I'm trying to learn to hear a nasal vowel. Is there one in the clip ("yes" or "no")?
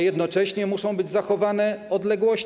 yes